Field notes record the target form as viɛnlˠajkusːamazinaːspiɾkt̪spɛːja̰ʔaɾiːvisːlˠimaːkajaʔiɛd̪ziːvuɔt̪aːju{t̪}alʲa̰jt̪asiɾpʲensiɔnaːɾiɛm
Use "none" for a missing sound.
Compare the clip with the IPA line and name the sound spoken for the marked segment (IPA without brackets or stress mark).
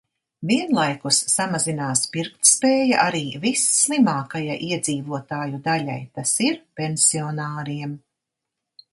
d̪